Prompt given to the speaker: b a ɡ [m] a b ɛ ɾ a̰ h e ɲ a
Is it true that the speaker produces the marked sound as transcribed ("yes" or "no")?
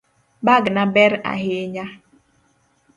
no